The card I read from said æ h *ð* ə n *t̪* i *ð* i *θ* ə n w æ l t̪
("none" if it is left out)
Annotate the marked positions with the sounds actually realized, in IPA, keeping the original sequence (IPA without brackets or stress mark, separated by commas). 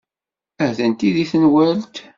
ð, t̪, ð, θ